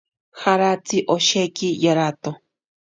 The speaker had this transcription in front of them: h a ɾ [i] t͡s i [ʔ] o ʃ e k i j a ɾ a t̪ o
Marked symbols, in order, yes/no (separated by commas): no, yes